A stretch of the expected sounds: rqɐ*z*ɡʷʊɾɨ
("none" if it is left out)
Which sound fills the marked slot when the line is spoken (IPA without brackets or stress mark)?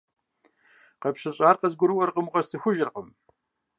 z